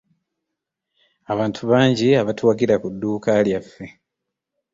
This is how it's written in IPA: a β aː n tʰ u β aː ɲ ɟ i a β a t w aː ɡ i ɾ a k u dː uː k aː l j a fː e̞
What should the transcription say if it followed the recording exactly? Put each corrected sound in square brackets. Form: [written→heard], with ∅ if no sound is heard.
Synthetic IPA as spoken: a β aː n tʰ u β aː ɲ ɟ i a β a t w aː ɡ i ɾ a k u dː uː k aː l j a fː e̞